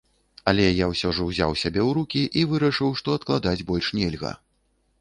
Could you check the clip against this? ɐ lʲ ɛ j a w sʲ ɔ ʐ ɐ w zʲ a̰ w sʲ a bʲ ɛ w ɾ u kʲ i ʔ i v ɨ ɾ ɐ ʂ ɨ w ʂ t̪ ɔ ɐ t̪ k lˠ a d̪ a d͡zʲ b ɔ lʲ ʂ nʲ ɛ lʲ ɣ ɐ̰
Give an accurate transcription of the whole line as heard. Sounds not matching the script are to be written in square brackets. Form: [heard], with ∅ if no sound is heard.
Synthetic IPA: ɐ lʲ ɛ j a w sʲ ɔ ʐ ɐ w zʲ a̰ w sʲ a bʲ ɛ w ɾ u kʲ i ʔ i v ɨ ɾ ɐ ʂ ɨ w ʂ t̪ ɔ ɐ t̪ k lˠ a d̪ a d͡zʲ b ɔ lʲ ʂ nʲ ɛ lʲ ɣ ɐ̰